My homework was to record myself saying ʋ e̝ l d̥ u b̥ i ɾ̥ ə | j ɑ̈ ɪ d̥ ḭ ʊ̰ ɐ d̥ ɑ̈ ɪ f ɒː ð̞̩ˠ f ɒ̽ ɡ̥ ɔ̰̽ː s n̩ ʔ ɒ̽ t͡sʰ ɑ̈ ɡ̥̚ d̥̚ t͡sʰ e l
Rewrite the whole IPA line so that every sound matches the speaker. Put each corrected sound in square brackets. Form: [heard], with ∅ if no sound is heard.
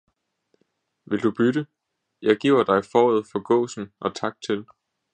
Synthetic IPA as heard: ʋ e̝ l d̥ u b̥ [y] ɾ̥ ə | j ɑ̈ ɪ [ɡ̥] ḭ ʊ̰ ɐ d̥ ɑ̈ ɪ f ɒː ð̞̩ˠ f ɒ̽ ɡ̥ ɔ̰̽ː s n̩ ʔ ɒ̽ t͡sʰ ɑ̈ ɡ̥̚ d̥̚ t͡sʰ e l